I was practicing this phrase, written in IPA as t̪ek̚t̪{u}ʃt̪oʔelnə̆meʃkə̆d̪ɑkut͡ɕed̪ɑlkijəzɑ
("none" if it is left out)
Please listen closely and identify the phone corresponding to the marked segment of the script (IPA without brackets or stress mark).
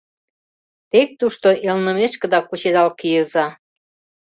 u